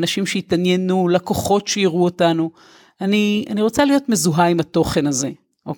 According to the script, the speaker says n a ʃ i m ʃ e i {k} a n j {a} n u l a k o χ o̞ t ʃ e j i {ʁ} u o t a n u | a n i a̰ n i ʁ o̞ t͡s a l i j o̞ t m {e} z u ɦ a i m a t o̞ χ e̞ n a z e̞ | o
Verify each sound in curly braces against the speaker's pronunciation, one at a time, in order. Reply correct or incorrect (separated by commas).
incorrect, incorrect, correct, correct